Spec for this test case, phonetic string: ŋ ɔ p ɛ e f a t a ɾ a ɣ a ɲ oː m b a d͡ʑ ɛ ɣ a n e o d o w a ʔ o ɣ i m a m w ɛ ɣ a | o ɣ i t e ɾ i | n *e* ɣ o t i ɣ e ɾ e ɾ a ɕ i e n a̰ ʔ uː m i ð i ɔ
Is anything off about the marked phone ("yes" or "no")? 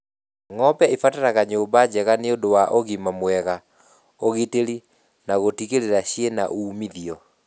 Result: yes